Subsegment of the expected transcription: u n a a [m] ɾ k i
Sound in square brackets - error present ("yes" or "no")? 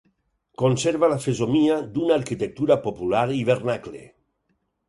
yes